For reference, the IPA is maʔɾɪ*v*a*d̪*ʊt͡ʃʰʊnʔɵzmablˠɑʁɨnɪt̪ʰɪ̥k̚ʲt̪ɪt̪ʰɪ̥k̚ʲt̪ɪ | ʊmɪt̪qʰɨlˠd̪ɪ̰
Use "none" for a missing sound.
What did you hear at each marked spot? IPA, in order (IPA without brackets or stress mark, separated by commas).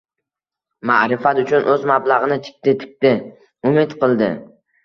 f, t̪